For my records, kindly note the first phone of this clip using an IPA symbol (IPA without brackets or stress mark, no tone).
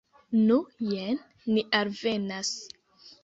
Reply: n